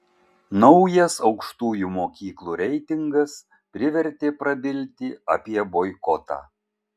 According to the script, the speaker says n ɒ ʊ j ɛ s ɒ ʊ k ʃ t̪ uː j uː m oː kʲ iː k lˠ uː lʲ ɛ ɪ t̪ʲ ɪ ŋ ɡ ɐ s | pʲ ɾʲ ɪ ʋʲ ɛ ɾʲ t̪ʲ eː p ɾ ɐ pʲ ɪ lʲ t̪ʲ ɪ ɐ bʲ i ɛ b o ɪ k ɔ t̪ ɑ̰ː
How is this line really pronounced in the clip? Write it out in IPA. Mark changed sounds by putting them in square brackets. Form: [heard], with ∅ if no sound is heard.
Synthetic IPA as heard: n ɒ ʊ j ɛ s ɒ ʊ k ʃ t̪ uː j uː m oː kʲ iː k lˠ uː [ɾʲ] ɛ ɪ t̪ʲ ɪ ŋ ɡ ɐ s | pʲ ɾʲ ɪ ʋʲ ɛ ɾʲ t̪ʲ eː p ɾ ɐ [bʲ] ɪ lʲ t̪ʲ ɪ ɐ [pʲ] i ɛ b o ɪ k ɔ t̪ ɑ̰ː